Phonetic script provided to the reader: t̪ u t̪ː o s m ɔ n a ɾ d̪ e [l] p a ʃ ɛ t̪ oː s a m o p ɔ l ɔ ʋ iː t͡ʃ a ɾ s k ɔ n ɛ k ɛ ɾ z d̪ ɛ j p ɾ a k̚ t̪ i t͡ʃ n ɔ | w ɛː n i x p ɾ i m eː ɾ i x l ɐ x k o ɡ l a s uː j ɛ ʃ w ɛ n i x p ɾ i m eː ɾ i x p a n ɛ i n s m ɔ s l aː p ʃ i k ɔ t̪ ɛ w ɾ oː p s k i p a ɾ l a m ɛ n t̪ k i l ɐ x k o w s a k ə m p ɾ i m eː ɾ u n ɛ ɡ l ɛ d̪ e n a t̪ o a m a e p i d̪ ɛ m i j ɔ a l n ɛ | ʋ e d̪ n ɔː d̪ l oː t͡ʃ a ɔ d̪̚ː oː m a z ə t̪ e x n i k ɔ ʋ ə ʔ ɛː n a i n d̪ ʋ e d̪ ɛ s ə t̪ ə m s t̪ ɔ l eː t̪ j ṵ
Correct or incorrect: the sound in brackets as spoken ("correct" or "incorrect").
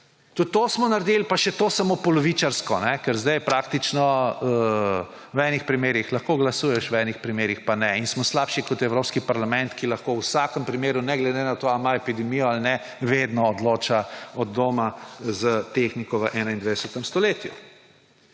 correct